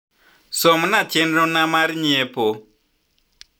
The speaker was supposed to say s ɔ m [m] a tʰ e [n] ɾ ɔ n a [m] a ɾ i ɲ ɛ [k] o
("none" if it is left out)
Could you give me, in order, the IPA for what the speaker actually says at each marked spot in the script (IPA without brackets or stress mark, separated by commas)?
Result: n, n, m, p